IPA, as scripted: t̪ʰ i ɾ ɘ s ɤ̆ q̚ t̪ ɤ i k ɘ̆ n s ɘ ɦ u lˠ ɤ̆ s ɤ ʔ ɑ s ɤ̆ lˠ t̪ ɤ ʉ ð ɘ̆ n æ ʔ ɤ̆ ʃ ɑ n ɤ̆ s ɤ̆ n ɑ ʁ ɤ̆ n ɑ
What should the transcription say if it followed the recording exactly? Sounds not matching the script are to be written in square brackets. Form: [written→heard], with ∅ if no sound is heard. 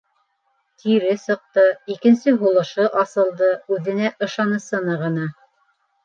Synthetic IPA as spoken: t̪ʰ i ɾ ɘ s ɤ̆ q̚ t̪ ɤ i k ɘ̆ n s ɘ ɦ u lˠ ɤ̆ [s→ʃ] ɤ ʔ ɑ s ɤ̆ lˠ [t̪→d̪] ɤ ʉ ð ɘ̆ n æ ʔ ɤ̆ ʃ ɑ n ɤ̆ s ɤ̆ n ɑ ʁ ɤ̆ n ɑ